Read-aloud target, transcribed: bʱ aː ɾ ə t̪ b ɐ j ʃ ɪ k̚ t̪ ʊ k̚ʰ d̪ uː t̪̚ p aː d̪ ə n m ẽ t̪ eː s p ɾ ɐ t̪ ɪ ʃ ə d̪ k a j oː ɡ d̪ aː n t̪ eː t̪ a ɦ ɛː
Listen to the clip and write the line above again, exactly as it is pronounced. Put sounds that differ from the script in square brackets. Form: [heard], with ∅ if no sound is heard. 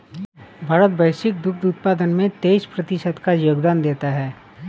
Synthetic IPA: bʱ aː ɾ ə t̪ b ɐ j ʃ ɪ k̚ [d̪] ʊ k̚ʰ d̪ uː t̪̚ p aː d̪ ə n m ẽ t̪ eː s p ɾ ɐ t̪ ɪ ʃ ə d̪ k a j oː ɡ d̪ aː n [d̪] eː t̪ a ɦ ɛː

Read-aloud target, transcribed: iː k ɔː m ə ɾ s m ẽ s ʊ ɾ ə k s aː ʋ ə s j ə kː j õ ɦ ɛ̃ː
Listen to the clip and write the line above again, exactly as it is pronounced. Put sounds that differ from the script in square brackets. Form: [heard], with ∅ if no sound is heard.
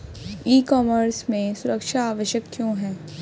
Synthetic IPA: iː k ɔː m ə ɾ s m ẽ s ʊ ɾ ə k [ʃ] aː ʋ ə [ʃ] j ə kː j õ ɦ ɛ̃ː

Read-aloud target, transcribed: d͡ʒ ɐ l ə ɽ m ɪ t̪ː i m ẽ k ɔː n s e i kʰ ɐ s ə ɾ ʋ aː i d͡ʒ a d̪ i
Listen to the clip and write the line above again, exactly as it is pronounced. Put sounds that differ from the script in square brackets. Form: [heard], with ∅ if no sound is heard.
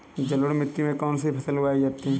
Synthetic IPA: d͡ʒ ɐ l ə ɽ m ɪ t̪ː i m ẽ k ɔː n s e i [pʰ] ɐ s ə [l] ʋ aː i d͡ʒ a [t̪] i

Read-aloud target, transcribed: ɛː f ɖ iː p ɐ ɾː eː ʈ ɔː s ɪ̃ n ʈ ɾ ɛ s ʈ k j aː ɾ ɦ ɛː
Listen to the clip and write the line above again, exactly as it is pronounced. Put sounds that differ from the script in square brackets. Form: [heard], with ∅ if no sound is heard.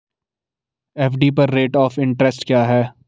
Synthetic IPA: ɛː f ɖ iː p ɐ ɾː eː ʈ ɔː [f] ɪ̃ [ɳ] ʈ ɾ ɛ s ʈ k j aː [∅] ɦ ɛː

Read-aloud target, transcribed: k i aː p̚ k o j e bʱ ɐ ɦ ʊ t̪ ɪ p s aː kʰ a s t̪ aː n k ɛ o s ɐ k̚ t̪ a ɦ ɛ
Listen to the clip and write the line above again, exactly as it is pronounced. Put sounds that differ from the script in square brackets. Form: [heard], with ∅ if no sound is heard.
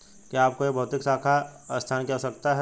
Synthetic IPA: k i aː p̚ k o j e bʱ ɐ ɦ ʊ t̪ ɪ [k] s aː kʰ a s [t̪ʰ] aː n k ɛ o s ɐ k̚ t̪ a ɦ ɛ

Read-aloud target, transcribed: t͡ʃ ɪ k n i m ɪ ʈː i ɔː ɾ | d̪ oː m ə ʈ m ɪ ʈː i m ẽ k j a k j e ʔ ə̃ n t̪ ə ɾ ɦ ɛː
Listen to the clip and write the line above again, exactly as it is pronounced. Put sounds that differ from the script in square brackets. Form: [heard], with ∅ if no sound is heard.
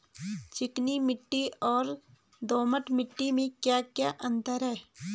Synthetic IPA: t͡ʃ ɪ k n i m ɪ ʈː i ɔː ɾ | d̪ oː m ə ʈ m ɪ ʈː i m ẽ k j a k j [a] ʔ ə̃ n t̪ ə ɾ ɦ ɛː

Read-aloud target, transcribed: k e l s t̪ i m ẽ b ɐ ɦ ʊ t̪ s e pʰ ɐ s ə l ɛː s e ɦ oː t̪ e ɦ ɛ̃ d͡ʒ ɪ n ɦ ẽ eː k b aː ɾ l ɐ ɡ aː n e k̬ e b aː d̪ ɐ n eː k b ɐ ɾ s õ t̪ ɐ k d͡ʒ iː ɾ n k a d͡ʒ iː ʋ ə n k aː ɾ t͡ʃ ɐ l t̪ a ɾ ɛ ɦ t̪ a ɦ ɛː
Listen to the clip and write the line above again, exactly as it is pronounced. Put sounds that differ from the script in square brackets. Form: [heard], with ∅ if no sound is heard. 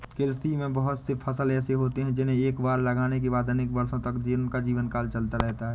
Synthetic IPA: k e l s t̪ i m ẽ b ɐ ɦ ʊ t̪ s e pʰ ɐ s ə l ɛː s e ɦ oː t̪ e ɦ ɛ̃ d͡ʒ ɪ n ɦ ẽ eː k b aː ɾ l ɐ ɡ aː n e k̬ e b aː d̪ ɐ n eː k b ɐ ɾ s õ t̪ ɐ k d͡ʒ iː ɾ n k a d͡ʒ iː ʋ ə n k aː [l] t͡ʃ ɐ l t̪ a ɾ ɛ ɦ t̪ a ɦ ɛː

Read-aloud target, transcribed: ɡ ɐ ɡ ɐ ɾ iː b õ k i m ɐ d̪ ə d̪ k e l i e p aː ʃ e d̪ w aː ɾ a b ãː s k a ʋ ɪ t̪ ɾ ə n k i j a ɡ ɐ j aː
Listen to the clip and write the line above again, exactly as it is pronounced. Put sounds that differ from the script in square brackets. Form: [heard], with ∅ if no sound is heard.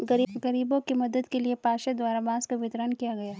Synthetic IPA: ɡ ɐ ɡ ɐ ɾ iː b õ k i m ɐ d̪ ə d̪ k e l i e p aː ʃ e d̪ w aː ɾ a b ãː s k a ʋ ɪ t̪ ɾ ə n k i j a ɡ ɐ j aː

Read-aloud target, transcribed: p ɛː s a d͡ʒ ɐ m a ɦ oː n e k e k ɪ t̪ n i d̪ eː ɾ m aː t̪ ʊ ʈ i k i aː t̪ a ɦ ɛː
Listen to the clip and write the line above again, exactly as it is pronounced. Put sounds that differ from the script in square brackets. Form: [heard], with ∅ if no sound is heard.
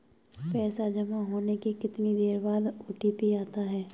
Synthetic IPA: p ɛː s a d͡ʒ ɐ m a ɦ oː n e k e k ɪ t̪ n i d̪ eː ɾ [b] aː [d̪] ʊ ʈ i [p] i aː t̪ a ɦ ɛː

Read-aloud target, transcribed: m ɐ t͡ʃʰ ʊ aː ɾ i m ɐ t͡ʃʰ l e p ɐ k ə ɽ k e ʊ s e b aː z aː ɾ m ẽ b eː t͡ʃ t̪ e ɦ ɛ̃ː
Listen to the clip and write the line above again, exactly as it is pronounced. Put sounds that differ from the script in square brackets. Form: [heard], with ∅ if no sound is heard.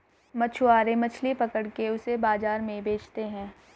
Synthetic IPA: m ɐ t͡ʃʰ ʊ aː ɾ [e] m ɐ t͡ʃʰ l [i] p ɐ k ə ɽ k e ʊ s e b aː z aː ɾ m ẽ b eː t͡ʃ t̪ e ɦ ɛ̃ː

